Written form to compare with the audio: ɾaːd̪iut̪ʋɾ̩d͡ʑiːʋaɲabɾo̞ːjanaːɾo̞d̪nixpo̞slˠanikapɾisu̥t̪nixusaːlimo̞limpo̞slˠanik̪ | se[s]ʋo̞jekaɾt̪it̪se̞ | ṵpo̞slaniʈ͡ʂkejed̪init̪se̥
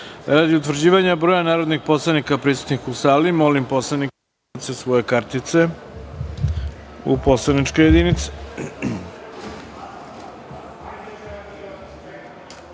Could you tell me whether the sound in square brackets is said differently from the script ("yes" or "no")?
no